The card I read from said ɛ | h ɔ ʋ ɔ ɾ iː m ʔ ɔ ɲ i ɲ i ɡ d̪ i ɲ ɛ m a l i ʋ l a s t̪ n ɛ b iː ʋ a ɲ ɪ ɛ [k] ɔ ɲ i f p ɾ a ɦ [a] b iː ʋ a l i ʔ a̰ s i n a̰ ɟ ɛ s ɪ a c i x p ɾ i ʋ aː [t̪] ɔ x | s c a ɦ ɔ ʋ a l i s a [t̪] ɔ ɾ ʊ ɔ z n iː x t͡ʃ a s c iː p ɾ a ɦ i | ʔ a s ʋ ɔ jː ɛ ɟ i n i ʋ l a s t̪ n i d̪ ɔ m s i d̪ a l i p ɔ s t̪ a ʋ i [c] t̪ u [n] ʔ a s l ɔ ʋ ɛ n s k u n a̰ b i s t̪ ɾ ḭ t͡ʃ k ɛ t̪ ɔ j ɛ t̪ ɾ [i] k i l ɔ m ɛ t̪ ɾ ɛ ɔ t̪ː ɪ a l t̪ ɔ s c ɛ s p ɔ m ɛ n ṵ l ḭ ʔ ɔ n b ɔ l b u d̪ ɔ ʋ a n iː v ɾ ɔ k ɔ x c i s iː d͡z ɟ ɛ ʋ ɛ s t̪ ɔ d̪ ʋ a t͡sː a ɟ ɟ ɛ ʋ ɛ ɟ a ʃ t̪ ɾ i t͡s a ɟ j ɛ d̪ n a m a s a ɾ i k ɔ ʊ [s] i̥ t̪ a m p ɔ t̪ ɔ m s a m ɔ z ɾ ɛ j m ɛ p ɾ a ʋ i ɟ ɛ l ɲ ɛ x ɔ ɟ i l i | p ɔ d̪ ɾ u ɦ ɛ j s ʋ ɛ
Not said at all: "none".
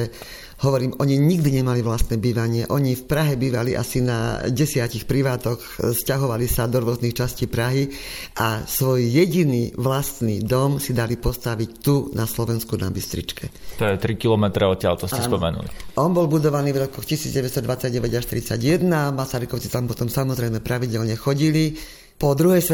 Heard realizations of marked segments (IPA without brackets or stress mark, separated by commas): ʔ, ɛ, t̪, d̪, c, n, i, t͡s